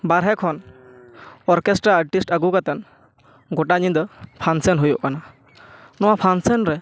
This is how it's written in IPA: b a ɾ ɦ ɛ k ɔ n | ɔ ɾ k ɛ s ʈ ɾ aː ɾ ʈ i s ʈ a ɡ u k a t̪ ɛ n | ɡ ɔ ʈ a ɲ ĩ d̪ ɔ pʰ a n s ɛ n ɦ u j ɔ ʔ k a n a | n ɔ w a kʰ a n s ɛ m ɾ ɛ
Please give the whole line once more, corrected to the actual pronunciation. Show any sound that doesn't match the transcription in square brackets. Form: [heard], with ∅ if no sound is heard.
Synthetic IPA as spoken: b a ɾ ɦ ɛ [kʰ] ɔ n | ɔ ɾ k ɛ s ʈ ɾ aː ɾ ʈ i s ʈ a ɡ u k a t̪ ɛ n | ɡ ɔ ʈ a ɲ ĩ d̪ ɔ pʰ a n s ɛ n ɦ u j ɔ ʔ k a n a | n ɔ w a [pʰ] a n s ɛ [n] ɾ ɛ